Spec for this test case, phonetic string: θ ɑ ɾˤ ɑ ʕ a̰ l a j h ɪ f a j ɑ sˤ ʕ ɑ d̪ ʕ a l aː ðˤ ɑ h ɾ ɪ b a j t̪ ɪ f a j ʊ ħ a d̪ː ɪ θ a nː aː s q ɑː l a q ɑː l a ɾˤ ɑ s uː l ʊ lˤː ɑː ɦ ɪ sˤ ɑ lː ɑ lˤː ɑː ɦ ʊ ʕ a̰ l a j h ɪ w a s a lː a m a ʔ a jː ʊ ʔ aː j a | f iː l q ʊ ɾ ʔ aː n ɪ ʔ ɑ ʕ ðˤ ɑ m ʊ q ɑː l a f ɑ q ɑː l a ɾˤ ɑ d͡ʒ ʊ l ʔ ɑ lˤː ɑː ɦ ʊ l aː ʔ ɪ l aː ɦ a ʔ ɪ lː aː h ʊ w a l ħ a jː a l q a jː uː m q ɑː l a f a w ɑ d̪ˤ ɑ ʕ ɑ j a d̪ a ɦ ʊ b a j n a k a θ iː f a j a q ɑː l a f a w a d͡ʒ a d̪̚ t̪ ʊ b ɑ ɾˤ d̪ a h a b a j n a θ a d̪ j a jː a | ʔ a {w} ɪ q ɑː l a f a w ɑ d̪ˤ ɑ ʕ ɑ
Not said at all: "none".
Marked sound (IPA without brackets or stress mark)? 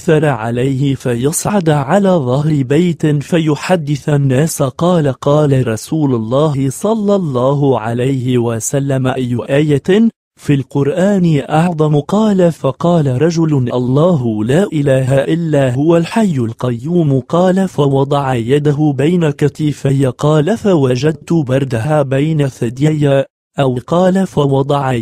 w